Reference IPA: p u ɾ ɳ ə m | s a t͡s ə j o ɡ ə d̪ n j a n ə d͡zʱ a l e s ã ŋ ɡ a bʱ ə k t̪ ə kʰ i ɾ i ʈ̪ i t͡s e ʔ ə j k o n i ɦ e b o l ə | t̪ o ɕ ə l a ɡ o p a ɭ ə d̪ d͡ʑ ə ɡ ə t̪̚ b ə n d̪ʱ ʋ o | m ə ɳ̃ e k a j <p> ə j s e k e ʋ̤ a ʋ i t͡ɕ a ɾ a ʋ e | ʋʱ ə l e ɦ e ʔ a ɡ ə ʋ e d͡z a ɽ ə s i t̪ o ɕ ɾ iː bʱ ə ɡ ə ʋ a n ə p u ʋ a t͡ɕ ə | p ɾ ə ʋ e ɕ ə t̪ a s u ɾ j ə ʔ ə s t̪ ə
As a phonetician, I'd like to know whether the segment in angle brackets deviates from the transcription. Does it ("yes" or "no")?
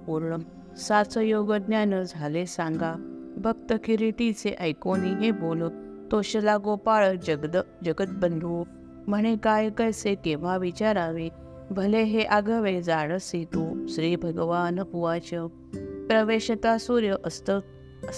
yes